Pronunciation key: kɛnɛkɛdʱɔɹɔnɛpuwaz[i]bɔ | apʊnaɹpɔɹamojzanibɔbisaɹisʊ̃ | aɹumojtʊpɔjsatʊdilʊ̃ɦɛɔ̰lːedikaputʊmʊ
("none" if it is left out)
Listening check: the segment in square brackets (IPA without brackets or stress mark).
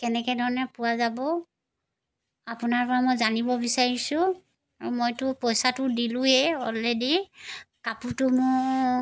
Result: a